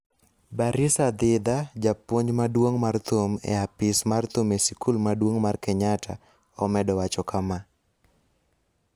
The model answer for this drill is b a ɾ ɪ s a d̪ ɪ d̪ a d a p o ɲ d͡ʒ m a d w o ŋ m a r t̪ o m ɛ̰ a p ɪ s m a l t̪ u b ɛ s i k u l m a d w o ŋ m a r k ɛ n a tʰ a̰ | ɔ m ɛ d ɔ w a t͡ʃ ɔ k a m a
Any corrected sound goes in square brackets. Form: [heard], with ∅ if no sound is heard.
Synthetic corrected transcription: b a ɾ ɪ s a d̪ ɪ d̪ a [d͡ʒ] a p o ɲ d͡ʒ m a d w o ŋ m a r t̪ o m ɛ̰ a p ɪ s m a [r] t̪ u [m] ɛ s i k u l m a d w o ŋ m a r k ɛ [ɲ] a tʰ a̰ | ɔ m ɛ d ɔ w a t͡ʃ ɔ k a m a